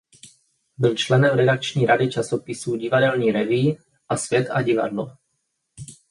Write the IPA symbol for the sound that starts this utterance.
b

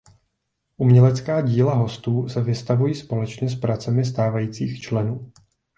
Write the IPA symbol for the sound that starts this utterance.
ʔ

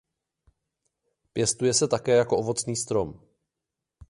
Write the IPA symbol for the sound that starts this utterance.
p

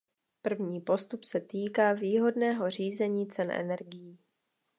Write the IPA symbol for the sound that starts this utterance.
p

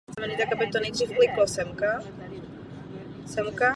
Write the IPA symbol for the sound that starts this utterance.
m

